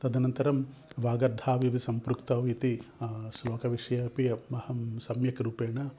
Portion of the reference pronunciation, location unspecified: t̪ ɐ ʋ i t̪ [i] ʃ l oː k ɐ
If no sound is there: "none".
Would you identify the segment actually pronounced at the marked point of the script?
i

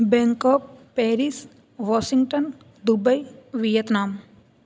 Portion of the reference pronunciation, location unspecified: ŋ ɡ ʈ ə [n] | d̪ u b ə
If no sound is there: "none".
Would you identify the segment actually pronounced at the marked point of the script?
n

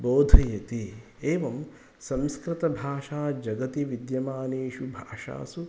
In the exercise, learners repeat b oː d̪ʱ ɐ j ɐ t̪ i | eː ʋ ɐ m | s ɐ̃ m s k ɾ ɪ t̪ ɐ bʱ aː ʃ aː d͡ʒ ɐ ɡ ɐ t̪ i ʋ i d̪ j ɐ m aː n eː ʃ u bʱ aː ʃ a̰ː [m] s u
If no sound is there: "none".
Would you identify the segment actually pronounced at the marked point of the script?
none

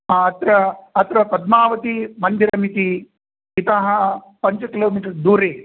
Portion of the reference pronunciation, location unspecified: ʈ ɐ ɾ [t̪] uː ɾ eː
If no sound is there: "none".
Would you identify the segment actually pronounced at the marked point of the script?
d̪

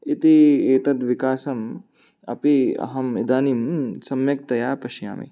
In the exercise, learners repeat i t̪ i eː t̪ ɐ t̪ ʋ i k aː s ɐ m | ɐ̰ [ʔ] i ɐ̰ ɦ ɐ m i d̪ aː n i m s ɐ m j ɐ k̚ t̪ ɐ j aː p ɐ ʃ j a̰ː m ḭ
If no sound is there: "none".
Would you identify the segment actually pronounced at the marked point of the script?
p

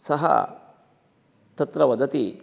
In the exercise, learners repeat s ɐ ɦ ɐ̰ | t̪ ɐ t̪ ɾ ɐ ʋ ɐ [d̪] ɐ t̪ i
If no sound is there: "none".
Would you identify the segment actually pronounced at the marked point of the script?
d̪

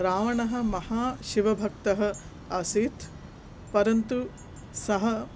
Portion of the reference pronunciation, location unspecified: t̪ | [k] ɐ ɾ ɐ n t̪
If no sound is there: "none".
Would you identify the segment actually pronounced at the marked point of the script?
p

